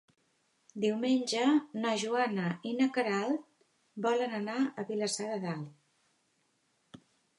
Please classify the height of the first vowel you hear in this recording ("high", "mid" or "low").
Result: high